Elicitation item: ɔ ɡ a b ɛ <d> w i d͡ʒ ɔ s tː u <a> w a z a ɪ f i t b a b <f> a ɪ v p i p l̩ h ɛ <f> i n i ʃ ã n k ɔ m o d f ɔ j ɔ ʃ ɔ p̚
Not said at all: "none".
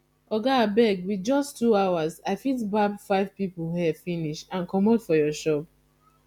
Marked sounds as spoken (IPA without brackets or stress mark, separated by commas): ɡ, a, f, f